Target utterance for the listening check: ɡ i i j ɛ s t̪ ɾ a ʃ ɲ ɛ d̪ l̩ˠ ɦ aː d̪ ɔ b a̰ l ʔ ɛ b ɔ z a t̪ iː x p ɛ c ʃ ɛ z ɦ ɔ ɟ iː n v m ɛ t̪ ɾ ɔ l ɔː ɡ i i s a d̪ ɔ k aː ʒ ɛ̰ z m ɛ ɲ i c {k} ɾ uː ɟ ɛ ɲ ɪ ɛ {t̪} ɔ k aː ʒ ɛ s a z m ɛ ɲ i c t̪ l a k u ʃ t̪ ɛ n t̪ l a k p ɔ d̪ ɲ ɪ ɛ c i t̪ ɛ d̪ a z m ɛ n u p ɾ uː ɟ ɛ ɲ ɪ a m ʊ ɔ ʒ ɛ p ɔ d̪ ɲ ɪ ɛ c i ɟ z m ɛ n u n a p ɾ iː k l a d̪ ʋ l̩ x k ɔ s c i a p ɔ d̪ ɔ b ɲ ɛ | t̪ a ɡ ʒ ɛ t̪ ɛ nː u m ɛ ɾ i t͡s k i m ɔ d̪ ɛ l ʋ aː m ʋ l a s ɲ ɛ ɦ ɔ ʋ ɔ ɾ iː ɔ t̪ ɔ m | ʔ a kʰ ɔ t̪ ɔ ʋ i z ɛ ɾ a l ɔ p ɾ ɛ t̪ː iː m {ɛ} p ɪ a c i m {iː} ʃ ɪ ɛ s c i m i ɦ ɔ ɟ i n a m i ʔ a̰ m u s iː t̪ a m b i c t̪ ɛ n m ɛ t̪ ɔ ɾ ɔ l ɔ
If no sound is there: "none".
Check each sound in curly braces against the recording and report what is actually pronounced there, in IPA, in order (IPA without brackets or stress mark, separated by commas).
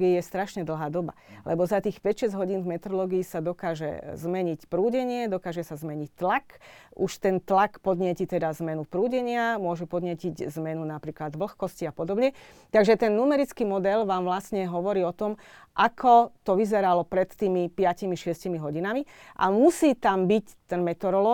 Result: p, d̪, i, i